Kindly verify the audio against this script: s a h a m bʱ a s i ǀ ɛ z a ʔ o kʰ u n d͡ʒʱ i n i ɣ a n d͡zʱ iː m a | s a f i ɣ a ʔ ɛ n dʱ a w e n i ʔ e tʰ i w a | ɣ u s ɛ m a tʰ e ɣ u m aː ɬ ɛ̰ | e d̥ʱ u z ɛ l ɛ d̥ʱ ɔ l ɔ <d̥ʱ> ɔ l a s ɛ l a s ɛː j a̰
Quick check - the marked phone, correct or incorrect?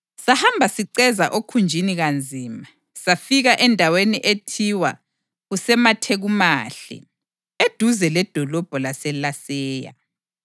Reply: incorrect: b̥ʱ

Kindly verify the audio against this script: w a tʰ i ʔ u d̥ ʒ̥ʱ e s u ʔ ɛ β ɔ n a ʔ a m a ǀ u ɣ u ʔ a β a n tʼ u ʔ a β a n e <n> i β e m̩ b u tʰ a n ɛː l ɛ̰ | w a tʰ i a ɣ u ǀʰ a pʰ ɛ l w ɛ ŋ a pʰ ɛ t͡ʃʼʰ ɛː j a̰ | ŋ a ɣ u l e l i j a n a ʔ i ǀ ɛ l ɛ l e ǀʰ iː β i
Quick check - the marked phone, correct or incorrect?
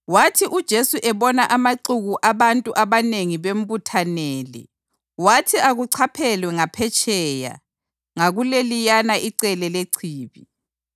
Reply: incorrect: ŋ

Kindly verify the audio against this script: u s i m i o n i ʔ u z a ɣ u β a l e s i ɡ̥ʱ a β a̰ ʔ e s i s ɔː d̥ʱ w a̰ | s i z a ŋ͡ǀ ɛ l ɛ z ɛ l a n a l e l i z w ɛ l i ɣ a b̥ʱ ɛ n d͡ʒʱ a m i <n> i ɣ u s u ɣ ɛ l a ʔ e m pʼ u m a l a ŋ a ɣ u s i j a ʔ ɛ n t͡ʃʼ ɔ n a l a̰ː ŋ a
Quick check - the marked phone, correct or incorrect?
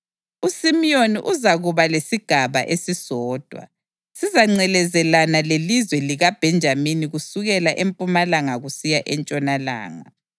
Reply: correct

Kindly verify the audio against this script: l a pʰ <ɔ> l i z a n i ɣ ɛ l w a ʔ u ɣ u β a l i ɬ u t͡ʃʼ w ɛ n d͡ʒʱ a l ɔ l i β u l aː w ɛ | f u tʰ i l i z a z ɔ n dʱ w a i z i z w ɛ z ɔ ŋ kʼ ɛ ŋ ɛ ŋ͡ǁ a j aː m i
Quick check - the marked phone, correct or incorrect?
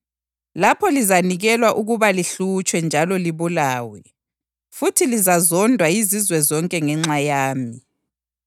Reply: correct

